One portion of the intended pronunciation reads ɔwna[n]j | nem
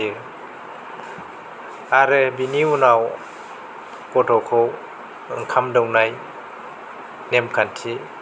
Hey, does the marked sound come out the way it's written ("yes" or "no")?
no